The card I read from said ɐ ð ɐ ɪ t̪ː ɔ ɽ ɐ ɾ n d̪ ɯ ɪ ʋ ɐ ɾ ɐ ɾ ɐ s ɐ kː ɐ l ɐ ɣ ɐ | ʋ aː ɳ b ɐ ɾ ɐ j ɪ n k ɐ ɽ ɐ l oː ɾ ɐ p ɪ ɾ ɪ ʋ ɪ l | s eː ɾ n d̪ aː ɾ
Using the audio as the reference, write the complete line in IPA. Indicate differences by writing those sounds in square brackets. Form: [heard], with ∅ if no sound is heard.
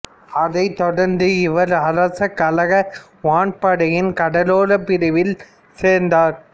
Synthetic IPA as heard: ɐ ð ɐ ɪ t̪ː ɔ ɽ ɐ ɾ n d̪ ɯ ɪ ʋ ɐ ɾ ɐ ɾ ɐ s ɐ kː ɐ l ɐ ɣ ɐ | ʋ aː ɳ [p] ɐ [ɽ] ɐ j ɪ n k ɐ ɽ ɐ l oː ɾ ɐ p ɪ ɾ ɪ ʋ ɪ l | s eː ɾ n d̪ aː ɾ

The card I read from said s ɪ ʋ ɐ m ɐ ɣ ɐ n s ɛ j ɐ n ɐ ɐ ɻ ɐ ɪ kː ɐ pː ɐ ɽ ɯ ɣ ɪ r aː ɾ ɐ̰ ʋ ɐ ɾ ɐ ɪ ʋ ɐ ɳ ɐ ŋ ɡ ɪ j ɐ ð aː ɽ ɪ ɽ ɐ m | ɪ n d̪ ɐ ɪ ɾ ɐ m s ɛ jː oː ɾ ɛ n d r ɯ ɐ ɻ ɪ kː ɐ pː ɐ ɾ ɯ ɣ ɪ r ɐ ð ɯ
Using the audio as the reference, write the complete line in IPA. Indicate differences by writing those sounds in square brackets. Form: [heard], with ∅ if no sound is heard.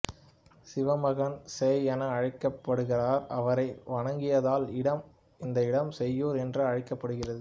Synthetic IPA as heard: s ɪ ʋ ɐ m ɐ ɣ ɐ n s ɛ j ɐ n ɐ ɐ ɻ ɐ ɪ kː ɐ pː ɐ ɽ ɯ ɣ ɪ r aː ɾ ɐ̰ ʋ ɐ ɾ ɐ ɪ ʋ ɐ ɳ ɐ ŋ ɡ ɪ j ɐ ð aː [l] ɪ ɽ ɐ m | ɪ n d̪ ɐ ɪ [ɽ] ɐ m s ɛ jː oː ɾ ɛ n d r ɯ ɐ ɻ ɪ kː ɐ pː ɐ [ɽ] ɯ ɣ ɪ r ɐ ð ɯ

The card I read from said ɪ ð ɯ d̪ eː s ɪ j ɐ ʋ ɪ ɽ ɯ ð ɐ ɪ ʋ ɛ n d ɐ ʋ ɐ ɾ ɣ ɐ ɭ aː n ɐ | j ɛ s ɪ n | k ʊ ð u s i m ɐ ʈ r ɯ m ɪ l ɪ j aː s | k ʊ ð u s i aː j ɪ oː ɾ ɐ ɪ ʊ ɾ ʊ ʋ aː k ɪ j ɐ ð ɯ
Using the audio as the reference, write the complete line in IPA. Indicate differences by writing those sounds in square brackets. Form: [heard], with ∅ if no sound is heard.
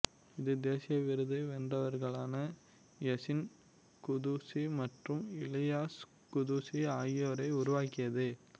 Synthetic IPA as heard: ɪ ð ɯ d̪ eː s ɪ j ɐ ʋ ɪ [ɾ] ɯ ð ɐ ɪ ʋ ɛ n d ɐ ʋ ɐ ɾ ɣ ɐ ɭ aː n ɐ | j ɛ s ɪ n | k ʊ ð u s i m ɐ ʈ r ɯ m ɪ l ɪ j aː s | k ʊ ð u s i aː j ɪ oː ɾ ɐ ɪ ʊ ɾ ʊ ʋ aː k ɪ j ɐ ð ɯ

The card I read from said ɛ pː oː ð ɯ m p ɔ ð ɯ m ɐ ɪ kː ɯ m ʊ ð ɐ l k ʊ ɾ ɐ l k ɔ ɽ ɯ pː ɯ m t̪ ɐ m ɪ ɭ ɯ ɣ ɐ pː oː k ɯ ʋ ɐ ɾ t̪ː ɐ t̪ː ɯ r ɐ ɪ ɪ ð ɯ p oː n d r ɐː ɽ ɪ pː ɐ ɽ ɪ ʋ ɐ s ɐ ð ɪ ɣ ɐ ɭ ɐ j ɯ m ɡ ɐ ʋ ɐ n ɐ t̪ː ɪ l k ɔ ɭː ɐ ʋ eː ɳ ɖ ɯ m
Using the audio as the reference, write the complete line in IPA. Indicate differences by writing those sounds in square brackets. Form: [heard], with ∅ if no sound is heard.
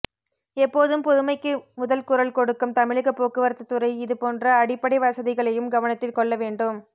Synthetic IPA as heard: ɛ pː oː ð ɯ m p ɔ ð ɯ m ɐ ɪ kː ɯ m ʊ ð ɐ l k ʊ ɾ ɐ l k ɔ ɽ ɯ [kː] ɯ m t̪ ɐ m ɪ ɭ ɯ ɣ ɐ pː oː k ɯ ʋ ɐ ɾ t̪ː ɐ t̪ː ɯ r ɐ ɪ ɪ ð ɯ p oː n d r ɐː ɽ ɪ pː ɐ ɽ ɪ ʋ ɐ s ɐ ð ɪ ɣ ɐ ɭ ɐ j ɯ m ɡ ɐ ʋ ɐ n ɐ t̪ː ɪ l k ɔ ɭː ɐ ʋ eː ɳ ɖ ɯ m

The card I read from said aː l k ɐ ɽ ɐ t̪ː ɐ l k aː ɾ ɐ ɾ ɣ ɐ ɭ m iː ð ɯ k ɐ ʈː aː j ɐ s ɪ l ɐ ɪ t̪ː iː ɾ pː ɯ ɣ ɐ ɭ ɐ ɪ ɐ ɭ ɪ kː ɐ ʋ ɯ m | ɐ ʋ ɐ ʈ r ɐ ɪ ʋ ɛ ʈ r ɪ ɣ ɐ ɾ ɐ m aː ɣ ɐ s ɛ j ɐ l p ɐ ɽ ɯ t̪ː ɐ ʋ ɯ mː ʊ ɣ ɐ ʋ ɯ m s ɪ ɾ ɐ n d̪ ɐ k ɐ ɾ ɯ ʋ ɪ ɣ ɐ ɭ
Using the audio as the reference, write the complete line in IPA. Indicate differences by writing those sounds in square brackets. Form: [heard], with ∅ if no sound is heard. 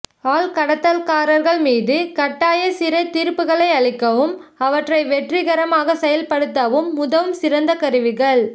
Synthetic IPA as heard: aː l k ɐ ɽ ɐ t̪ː ɐ l k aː ɾ ɐ ɾ ɣ ɐ ɭ m iː ð ɯ k ɐ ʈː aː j ɐ s ɪ [ɾ] ɐ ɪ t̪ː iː ɾ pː ɯ ɣ ɐ ɭ ɐ ɪ ɐ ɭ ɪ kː ɐ ʋ ɯ m | ɐ ʋ ɐ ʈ r ɐ ɪ ʋ ɛ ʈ r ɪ ɣ ɐ ɾ ɐ m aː ɣ ɐ s ɛ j ɐ l p ɐ ɽ ɯ t̪ː ɐ ʋ ɯ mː ʊ [ð] ɐ ʋ ɯ m s ɪ ɾ ɐ n d̪ ɐ k ɐ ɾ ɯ ʋ ɪ ɣ ɐ ɭ

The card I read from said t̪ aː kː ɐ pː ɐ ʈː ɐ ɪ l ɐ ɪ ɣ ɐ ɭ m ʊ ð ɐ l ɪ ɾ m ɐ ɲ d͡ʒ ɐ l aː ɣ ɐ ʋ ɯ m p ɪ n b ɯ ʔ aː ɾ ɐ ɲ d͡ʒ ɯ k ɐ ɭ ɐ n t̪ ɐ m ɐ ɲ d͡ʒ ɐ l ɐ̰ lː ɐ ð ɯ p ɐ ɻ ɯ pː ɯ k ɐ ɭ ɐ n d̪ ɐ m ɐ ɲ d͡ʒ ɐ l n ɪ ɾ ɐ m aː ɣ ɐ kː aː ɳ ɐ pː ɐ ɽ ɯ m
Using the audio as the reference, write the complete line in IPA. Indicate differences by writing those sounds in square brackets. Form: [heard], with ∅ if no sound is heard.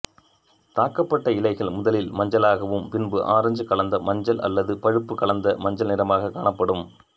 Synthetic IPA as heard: t̪ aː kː ɐ pː ɐ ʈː ɐ ɪ l ɐ ɪ ɣ ɐ ɭ m ʊ ð ɐ l ɪ [l] m ɐ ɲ d͡ʒ ɐ l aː ɣ ɐ ʋ ɯ m p ɪ n b ɯ ʔ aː ɾ ɐ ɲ d͡ʒ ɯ k ɐ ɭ ɐ n [d̪] ɐ m ɐ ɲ d͡ʒ ɐ l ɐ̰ lː ɐ ð ɯ p ɐ ɻ ɯ pː ɯ k ɐ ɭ ɐ n d̪ ɐ m ɐ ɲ d͡ʒ ɐ l n ɪ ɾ ɐ m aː ɣ ɐ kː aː ɳ ɐ pː ɐ ɽ ɯ m

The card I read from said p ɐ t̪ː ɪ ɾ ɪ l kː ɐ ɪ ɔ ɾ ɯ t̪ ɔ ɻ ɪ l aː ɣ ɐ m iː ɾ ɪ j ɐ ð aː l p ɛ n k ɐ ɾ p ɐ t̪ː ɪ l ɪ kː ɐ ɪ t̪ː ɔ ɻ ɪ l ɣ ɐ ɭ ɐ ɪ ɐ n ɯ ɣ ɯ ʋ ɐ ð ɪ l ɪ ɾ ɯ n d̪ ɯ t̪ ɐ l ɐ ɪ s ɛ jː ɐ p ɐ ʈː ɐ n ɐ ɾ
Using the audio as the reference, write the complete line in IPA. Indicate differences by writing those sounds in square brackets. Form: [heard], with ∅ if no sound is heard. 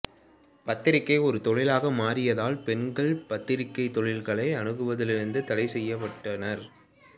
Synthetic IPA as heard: p ɐ t̪ː ɪ ɾ ɪ [∅] kː ɐ ɪ ɔ ɾ ɯ t̪ ɔ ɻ ɪ l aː ɣ ɐ m [aː] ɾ ɪ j ɐ ð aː l p ɛ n [ɡ] ɐ [ɭ] p ɐ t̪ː ɪ [ɾ] ɪ kː ɐ ɪ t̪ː ɔ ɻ ɪ l ɣ ɐ ɭ ɐ ɪ ɐ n ɯ ɣ ɯ ʋ ɐ ð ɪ l ɪ ɾ ɯ n d̪ ɯ t̪ ɐ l ɐ ɪ s ɛ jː ɐ p ɐ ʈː ɐ n ɐ ɾ

